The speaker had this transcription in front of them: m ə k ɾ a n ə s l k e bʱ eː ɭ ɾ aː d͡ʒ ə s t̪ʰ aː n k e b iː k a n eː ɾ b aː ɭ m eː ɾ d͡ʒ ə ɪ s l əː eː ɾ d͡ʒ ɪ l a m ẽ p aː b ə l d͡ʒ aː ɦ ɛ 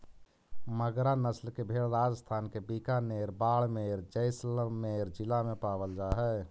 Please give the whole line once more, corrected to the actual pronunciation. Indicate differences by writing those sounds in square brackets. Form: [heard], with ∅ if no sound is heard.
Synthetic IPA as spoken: m ə [ɡ] ɾ a n ə s l k e bʱ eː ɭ ɾ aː d͡ʒ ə s t̪ʰ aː n k e b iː k a n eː ɾ b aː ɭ m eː ɾ d͡ʒ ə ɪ s l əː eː ɾ d͡ʒ ɪ l a m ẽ p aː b ə l d͡ʒ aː ɦ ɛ